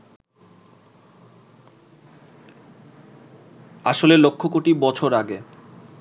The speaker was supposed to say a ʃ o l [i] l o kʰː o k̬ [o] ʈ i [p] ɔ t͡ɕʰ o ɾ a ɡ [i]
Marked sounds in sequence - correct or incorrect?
incorrect: e, correct, incorrect: b, incorrect: e

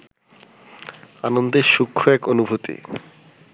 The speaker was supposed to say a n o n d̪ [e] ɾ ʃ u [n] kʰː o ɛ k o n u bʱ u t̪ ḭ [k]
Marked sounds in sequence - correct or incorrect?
correct, incorrect: none, incorrect: none

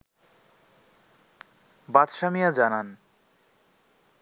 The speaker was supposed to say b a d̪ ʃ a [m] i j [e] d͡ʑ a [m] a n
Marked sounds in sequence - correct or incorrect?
correct, incorrect: a, incorrect: n

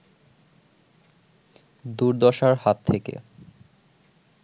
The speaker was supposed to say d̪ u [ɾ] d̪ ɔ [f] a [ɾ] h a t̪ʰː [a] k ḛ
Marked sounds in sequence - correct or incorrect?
correct, incorrect: ʃ, correct, incorrect: e

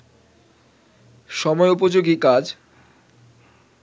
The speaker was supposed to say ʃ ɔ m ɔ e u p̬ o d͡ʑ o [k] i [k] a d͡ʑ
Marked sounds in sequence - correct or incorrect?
incorrect: ɡ, correct

